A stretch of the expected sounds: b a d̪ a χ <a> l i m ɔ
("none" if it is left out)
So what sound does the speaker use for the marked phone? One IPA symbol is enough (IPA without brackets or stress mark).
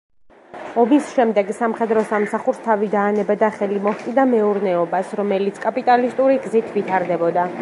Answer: ɛ